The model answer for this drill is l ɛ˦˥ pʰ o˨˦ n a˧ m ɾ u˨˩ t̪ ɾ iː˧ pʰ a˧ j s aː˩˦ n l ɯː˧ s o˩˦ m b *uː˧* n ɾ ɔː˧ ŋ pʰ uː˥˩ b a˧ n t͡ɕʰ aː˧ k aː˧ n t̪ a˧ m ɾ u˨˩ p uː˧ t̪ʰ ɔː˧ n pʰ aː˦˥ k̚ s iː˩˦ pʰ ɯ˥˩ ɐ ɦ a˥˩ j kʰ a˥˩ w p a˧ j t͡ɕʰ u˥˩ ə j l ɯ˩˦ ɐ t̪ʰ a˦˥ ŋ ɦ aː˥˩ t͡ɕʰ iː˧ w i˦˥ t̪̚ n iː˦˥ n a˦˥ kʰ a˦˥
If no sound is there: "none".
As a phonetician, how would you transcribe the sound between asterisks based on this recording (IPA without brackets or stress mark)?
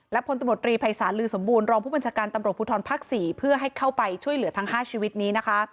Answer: uː˧